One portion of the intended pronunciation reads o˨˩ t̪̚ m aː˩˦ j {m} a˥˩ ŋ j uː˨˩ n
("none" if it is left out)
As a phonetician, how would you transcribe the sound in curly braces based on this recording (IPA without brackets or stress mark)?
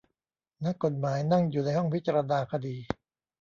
n